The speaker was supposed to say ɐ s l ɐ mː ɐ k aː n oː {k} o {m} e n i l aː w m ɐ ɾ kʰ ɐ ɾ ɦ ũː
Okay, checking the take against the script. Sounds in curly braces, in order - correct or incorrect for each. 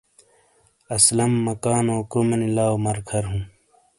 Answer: correct, correct

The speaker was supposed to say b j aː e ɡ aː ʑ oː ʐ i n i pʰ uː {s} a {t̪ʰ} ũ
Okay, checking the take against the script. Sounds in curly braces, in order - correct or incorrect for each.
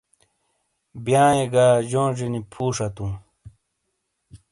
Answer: incorrect: ʂ, incorrect: t̪

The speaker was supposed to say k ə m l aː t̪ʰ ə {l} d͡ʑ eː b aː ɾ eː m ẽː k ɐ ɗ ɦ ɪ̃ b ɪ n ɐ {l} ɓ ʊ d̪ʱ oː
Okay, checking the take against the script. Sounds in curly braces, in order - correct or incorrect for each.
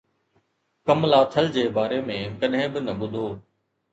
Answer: correct, incorrect: none

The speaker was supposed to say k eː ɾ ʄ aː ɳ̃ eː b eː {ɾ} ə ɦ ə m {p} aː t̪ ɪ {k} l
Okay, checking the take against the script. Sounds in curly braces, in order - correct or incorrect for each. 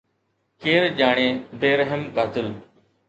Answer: correct, incorrect: k, incorrect: none

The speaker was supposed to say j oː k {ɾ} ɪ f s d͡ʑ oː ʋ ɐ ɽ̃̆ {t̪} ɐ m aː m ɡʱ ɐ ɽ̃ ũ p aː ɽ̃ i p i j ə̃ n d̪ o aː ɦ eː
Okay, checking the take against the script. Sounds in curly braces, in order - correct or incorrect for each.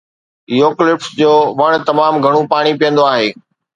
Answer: incorrect: l, correct

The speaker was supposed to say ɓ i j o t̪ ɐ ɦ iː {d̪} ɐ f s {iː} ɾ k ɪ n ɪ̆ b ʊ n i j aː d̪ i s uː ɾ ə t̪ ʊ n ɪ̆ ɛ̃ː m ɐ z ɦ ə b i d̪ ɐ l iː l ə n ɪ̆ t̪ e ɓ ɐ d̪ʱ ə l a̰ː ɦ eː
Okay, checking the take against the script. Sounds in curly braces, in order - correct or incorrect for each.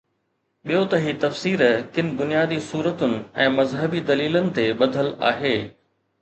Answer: incorrect: t̪, correct

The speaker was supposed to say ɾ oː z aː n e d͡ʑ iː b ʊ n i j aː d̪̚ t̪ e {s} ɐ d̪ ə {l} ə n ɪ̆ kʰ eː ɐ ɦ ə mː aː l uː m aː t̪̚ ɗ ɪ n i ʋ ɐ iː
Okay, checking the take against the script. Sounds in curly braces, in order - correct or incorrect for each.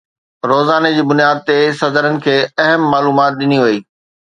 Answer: correct, incorrect: ɾ

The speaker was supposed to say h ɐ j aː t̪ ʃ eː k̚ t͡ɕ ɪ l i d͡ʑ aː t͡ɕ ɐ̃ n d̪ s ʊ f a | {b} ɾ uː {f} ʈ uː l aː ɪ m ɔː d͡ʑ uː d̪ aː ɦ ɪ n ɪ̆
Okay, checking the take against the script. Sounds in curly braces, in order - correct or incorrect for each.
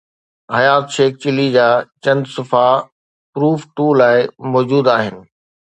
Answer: incorrect: p, correct

